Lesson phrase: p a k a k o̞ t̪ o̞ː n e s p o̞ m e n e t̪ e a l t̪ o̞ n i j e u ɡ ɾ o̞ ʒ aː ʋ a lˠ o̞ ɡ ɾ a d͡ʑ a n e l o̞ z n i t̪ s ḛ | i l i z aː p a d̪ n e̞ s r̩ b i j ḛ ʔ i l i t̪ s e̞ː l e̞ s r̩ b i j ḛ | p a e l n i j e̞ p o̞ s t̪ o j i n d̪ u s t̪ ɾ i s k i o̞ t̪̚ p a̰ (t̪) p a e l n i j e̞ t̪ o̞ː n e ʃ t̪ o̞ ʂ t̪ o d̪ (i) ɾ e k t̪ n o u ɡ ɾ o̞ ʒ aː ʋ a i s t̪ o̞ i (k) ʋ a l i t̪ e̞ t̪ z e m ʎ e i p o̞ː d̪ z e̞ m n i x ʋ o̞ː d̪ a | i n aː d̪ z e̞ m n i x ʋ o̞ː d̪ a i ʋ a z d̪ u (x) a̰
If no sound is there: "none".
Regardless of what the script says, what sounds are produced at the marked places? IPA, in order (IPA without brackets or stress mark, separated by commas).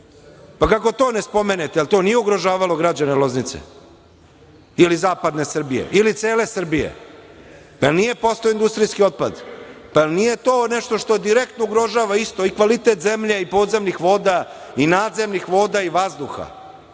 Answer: d̪, i, k, x